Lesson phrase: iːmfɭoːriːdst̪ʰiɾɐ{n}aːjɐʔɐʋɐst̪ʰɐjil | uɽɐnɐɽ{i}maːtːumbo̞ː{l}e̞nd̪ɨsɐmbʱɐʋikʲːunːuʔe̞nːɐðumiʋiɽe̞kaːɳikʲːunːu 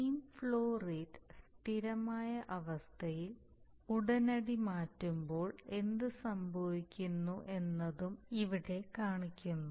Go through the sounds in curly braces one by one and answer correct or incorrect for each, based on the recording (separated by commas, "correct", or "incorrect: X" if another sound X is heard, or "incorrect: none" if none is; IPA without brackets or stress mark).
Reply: incorrect: m, correct, incorrect: ɭ